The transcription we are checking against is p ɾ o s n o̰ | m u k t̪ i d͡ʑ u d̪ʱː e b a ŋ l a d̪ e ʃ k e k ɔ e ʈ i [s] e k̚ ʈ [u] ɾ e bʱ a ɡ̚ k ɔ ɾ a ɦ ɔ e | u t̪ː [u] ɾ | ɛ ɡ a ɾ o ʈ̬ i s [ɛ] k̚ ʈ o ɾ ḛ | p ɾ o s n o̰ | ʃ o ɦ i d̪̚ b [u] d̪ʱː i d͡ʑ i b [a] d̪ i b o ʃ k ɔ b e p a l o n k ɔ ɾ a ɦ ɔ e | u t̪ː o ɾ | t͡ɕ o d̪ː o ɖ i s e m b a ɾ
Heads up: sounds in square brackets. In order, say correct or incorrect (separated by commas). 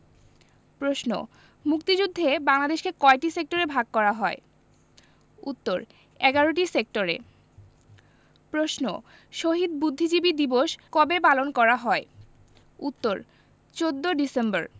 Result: correct, incorrect, incorrect, incorrect, correct, incorrect